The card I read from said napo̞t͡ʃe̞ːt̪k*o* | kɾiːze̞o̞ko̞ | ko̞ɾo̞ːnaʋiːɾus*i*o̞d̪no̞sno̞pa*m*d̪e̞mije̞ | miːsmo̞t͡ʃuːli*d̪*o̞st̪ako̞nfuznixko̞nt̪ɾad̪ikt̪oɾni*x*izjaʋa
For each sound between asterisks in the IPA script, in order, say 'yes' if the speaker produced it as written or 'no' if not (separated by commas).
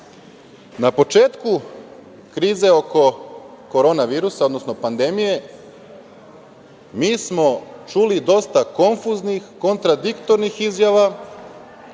no, no, no, yes, yes